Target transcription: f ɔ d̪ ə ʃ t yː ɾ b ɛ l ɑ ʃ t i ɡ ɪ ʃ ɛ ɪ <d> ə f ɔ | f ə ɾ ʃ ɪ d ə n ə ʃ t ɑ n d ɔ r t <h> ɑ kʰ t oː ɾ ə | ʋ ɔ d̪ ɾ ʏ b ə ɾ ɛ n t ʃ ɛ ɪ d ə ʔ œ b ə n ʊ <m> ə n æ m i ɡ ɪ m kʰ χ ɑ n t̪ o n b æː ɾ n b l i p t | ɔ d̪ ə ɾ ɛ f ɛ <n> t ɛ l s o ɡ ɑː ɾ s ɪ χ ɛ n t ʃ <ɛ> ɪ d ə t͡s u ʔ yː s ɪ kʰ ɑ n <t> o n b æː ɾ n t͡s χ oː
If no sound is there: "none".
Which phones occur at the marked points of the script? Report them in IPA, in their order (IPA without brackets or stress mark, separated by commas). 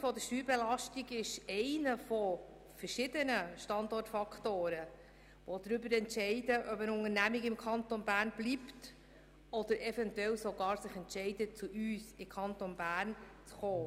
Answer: n, f, ŋ, n, ɛ, t